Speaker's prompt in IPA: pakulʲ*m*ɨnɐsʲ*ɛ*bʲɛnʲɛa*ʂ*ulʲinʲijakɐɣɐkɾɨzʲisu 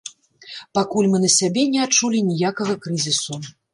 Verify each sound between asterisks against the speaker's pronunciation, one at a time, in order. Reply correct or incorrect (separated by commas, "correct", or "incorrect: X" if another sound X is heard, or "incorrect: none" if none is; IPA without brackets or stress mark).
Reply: correct, incorrect: a, incorrect: t͡ʂ